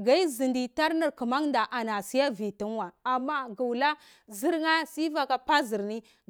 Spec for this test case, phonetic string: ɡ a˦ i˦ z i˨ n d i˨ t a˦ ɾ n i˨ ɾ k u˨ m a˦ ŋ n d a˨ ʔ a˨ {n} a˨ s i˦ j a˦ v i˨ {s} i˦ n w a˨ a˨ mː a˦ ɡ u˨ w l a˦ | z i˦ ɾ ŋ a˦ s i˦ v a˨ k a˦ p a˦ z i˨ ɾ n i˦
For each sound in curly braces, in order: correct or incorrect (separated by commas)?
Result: correct, incorrect